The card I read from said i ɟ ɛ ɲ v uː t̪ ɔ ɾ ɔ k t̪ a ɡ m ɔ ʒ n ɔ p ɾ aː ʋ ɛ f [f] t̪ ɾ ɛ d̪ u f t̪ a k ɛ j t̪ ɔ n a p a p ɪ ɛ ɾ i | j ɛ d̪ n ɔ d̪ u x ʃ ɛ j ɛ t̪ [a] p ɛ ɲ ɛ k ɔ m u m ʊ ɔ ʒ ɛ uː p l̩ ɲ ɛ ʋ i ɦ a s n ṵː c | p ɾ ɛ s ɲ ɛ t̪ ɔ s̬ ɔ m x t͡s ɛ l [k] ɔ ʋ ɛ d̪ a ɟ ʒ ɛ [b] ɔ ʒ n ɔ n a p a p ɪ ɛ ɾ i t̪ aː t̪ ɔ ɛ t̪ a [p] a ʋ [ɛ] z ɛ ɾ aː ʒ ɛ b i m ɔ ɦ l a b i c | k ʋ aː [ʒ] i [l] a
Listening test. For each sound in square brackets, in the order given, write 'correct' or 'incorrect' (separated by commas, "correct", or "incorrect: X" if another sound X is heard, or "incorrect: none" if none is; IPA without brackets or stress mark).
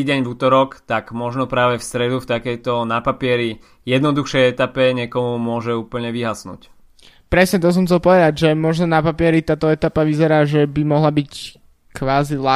incorrect: s, correct, incorrect: p, incorrect: m, correct, incorrect: i, incorrect: z, correct